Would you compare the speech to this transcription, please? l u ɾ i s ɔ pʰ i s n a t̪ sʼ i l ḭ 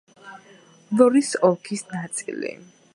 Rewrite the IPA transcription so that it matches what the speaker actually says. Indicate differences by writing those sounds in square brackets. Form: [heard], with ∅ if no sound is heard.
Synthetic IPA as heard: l [ɔ] ɾ i s ɔ [kʰ] i s n a t̪ sʼ i l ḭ

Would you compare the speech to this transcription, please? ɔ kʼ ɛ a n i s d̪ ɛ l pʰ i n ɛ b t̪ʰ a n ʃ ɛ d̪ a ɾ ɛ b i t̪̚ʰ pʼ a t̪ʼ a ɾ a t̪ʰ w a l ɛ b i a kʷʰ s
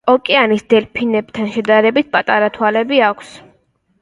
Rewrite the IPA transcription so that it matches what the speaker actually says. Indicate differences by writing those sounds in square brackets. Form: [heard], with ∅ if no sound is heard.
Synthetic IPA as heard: ɔ kʼ ɛ a n i s d̪ ɛ l pʰ i n ɛ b t̪ʰ a n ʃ ɛ d̪ a ɾ ɛ b i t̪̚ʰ pʼ a t̪ʼ a ɾ a t̪ʰ w a l ɛ b i a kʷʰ s

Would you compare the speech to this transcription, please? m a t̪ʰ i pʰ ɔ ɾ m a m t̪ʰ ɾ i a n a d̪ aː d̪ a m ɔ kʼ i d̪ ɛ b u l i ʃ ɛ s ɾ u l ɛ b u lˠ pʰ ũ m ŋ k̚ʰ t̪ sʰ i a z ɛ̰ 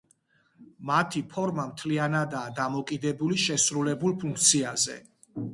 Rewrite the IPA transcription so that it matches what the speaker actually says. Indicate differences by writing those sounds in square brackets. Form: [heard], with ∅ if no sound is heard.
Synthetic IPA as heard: m a t̪ʰ i pʰ ɔ ɾ m a m t̪ʰ [l] i a n a d̪ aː d̪ a m ɔ kʼ i d̪ ɛ b u l i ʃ ɛ s ɾ u l ɛ b u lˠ pʰ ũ [∅] ŋ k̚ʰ t̪ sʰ i a z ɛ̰

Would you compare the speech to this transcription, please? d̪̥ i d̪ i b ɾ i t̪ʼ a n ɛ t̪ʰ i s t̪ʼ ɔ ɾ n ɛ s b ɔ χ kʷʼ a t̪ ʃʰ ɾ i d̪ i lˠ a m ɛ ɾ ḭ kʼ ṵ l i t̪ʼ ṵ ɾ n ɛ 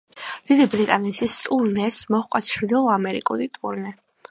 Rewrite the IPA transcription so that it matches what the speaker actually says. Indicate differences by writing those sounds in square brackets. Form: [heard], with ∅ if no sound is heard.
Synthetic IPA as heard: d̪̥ i d̪ i b ɾ i t̪ʼ a n ɛ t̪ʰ i s t̪ʼ [u] ɾ n ɛ s [m] ɔ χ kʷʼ a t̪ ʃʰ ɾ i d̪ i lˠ a m ɛ ɾ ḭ kʼ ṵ l i t̪ʼ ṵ ɾ n ɛ

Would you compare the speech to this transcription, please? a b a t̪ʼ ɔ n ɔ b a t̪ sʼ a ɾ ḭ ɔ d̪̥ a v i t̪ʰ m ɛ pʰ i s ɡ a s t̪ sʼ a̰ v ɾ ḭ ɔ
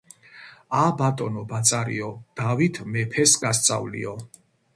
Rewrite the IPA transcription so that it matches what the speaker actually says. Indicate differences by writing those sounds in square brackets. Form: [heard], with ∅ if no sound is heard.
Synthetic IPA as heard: a b a t̪ʼ ɔ n ɔ b a t̪ sʼ a ɾ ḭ ɔ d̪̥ a v i t̪ʰ m ɛ pʰ [ɛ] s ɡ a s t̪ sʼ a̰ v [l] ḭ ɔ

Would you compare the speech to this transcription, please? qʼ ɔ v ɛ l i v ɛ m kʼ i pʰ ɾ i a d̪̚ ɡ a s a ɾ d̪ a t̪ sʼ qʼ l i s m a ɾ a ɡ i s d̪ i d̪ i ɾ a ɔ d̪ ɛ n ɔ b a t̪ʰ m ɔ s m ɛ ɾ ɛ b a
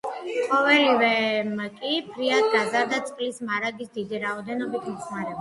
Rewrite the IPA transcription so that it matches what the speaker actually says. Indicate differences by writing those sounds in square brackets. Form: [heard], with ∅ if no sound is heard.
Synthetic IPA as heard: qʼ ɔ v ɛ l i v ɛ m kʼ i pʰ ɾ i a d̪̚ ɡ a [z] a ɾ d̪ a t̪ sʼ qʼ l i s m a ɾ a ɡ i s d̪ i d̪ i ɾ a ɔ d̪ ɛ n ɔ b [i] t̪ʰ m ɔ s m [a] ɾ ɛ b a

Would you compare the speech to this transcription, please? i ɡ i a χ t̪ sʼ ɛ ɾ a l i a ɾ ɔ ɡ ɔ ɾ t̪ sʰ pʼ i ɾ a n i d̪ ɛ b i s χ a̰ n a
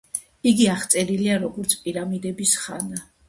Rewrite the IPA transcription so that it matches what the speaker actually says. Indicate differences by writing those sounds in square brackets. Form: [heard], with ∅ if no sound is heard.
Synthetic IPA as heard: i ɡ i a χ t̪ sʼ ɛ ɾ [i] l i a ɾ ɔ ɡ ɔ ɾ t̪ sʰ pʼ i ɾ a [m] i d̪ ɛ b i s χ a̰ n a

